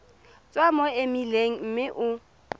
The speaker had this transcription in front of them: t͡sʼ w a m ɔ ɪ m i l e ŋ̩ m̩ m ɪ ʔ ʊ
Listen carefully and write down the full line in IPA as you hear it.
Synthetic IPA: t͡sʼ w a m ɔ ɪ m i l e ŋ̩ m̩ m ɪ ʔ ʊ